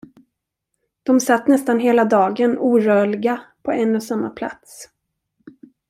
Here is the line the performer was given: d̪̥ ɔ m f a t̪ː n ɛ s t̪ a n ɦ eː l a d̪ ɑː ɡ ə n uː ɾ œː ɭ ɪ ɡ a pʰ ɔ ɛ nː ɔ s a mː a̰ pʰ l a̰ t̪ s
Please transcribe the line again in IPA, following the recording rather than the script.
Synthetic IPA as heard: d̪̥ ɔ m s a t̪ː n ɛ s t̪ a n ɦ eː l a d̪ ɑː ɡ ə n uː ɾ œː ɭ ɪ ɡ a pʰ ɔ ɛ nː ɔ s a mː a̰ pʰ l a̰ t̪ s